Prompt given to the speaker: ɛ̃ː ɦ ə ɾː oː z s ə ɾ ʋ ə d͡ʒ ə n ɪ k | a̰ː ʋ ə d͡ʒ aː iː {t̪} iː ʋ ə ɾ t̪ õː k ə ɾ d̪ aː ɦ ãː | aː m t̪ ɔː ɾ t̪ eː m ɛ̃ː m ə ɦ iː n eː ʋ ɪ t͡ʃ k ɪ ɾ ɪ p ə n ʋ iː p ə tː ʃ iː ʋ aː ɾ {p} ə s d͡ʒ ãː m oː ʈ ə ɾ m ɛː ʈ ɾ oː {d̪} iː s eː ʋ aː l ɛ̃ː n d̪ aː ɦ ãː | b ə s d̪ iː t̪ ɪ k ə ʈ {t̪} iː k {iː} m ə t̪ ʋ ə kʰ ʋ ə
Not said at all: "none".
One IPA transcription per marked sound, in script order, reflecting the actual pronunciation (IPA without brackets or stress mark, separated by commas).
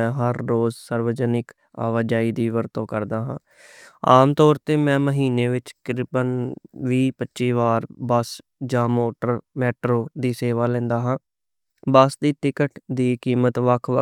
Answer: d̪, b, d̪, d̪, iː